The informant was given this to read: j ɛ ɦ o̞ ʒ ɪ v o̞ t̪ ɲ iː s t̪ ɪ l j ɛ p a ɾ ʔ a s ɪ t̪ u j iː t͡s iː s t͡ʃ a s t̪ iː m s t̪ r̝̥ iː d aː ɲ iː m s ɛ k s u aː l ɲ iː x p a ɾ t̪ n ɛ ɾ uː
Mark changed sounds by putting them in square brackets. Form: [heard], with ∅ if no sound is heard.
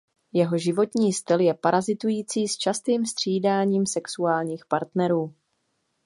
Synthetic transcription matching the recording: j ɛ ɦ o̞ ʒ ɪ v o̞ t̪ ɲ iː s t̪ ɪ l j ɛ p a ɾ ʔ a [z] ɪ t̪ u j iː t͡s iː s t͡ʃ a s t̪ iː m s t̪ r̝̥ iː d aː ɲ iː m s ɛ k s u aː l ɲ iː x p a ɾ t̪ n ɛ ɾ uː

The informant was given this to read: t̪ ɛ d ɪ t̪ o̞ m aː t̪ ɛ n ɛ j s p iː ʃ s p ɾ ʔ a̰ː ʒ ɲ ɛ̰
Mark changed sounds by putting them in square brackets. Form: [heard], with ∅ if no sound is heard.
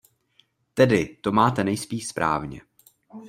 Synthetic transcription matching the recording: t̪ ɛ d ɪ t̪ o̞ m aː t̪ ɛ n ɛ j s p iː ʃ s p ɾ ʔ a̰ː [v] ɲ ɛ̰

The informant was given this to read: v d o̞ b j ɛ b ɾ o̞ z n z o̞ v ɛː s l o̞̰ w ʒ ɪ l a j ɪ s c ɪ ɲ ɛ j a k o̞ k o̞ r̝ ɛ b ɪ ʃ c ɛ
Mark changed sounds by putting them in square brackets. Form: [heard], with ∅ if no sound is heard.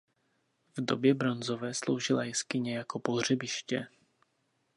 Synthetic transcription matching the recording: v d o̞ b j ɛ b ɾ o̞ [∅] n z o̞ v ɛː s l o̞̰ w ʒ ɪ l a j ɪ s [k] ɪ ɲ ɛ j a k o̞ [p] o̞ r̝ ɛ b ɪ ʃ c ɛ

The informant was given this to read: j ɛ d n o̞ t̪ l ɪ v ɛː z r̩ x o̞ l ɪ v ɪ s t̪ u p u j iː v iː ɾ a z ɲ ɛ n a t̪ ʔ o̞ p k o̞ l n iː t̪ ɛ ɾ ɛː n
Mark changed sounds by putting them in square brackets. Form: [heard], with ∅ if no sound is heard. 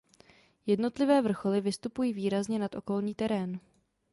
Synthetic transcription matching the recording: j ɛ d n o̞ t̪ l ɪ v ɛː [v] r̩ x o̞ l ɪ v ɪ s t̪ u p u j iː v iː ɾ a z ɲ ɛ n a t̪ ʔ o̞ [∅] k o̞ l [ɲ] iː t̪ ɛ ɾ ɛː n

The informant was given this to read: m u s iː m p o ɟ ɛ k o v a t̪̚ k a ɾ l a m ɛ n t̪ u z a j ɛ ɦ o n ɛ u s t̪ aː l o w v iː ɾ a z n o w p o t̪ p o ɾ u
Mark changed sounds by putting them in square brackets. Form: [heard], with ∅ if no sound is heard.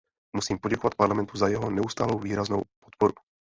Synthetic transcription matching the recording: m u s iː m p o ɟ ɛ k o v a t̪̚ [p] a ɾ l a m ɛ n t̪ u z a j ɛ ɦ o n ɛ u s t̪ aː l o w v iː ɾ a z n o w p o t̪ p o ɾ u

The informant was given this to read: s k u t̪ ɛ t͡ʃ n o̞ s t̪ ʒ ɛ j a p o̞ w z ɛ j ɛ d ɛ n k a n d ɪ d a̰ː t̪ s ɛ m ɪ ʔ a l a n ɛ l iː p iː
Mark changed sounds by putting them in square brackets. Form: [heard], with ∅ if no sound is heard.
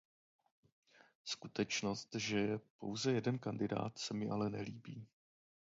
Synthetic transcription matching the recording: s k u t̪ ɛ t͡ʃ n o̞ s t̪ ʒ ɛ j [ɛ] p o̞ w z ɛ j ɛ d ɛ n k a n d ɪ d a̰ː t̪ s ɛ m ɪ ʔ a l [ɛ] n ɛ l iː [b] iː

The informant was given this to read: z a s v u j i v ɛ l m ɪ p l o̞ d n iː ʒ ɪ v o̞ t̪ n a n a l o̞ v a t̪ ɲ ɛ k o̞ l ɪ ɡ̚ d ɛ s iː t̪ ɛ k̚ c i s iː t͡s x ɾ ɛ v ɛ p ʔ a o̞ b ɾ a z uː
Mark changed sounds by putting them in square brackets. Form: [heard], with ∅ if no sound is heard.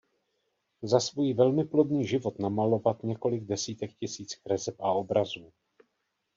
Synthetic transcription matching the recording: z a s v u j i v ɛ l m ɪ p l o̞ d n iː ʒ ɪ v o̞ t̪ n a [m] a l o̞ v a t̪ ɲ ɛ k o̞ l ɪ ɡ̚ d ɛ s iː t̪ ɛ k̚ c [ɪ] s iː t͡s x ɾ ɛ [z] ɛ p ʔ a o̞ b ɾ a z uː

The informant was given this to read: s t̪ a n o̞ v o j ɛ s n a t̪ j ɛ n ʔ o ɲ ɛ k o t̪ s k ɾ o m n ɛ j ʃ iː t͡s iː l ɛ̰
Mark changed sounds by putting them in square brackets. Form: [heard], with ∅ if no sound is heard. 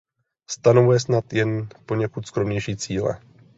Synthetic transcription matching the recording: s t̪ a n o̞ v [u] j ɛ s n a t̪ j ɛ n [p] o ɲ ɛ k [u] t̪ s k ɾ o m [ɲ] ɛ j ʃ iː t͡s iː l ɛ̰

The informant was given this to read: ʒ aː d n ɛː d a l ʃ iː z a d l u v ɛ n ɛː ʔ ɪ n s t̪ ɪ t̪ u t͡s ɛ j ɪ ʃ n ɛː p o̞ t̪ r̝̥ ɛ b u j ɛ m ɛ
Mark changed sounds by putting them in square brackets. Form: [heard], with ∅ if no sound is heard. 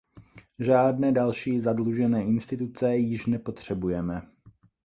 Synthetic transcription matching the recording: ʒ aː d n ɛː d a l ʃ iː z a d l u [ʒ] ɛ n ɛː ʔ ɪ n s t̪ ɪ t̪ u t͡s ɛ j ɪ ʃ n [ɛ] p o̞ t̪ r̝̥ ɛ b u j ɛ m ɛ

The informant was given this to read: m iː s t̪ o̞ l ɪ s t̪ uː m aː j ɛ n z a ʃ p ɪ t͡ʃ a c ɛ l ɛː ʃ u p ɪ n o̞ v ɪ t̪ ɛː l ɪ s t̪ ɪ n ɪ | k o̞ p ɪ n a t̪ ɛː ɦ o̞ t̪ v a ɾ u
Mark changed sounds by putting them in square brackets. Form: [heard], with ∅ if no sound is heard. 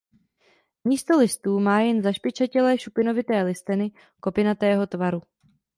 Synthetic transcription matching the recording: m iː s t̪ o̞ l ɪ s t̪ uː m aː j ɛ n z a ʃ p ɪ t͡ʃ a c ɛ l ɛː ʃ u p ɪ n o̞ v ɪ t̪ ɛː l ɪ s t̪ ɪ n ɪ | k o̞ p ɪ n a t̪ ɛː ɦ o̞ t̪ v a ɾ u

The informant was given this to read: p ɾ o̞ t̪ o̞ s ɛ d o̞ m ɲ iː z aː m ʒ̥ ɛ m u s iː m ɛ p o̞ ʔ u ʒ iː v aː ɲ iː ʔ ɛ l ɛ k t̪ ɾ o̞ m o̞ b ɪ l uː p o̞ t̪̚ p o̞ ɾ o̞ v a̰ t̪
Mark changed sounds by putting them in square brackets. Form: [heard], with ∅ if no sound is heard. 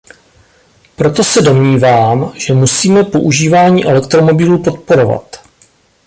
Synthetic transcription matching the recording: p ɾ o̞ t̪ o̞ s ɛ d o̞ m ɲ iː [v] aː m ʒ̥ ɛ m u s iː m ɛ p o̞ ʔ u ʒ iː v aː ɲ iː ʔ ɛ l ɛ k t̪ ɾ o̞ m o̞ b ɪ l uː p o̞ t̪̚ p o̞ ɾ o̞ v a̰ t̪

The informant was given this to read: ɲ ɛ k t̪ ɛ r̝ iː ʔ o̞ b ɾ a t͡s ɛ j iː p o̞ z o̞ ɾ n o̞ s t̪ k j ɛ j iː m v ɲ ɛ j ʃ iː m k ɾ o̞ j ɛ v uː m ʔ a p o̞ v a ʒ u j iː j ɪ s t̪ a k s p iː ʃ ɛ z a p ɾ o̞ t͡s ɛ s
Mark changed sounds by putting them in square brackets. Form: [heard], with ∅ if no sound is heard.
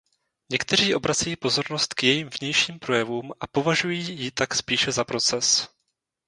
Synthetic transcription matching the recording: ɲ ɛ k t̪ ɛ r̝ iː ʔ o̞ b ɾ a t͡s ɛ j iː p o̞ z o̞ ɾ n o̞ s t̪ k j ɛ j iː m v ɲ ɛ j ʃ iː m [p] ɾ o̞ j ɛ v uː m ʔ a p o̞ v a ʒ u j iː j ɪ [∅] t̪ a k s p iː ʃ ɛ z a p ɾ o̞ t͡s ɛ s

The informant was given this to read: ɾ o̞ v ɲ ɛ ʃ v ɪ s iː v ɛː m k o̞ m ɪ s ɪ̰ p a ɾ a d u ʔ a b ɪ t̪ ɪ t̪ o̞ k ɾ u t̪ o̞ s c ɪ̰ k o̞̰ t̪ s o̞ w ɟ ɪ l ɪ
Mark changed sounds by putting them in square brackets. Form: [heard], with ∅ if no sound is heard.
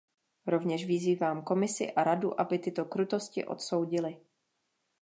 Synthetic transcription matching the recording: ɾ o̞ v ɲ ɛ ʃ v ɪ [z] iː v [aː] m k o̞ m ɪ s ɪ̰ [ʔ] a ɾ a d u ʔ a b ɪ t̪ ɪ t̪ o̞ k ɾ u t̪ o̞ s c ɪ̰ [ʔ] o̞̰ t̪ s o̞ w ɟ ɪ l ɪ

